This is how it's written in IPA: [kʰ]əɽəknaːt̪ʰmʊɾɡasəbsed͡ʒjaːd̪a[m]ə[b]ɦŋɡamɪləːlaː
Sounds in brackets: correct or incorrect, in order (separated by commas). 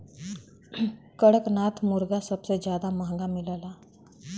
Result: incorrect, correct, incorrect